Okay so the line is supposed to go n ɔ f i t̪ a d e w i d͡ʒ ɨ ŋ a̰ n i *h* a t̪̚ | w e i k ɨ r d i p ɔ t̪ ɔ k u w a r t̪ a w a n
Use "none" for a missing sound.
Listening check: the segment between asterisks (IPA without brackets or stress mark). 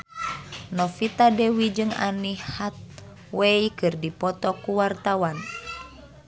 h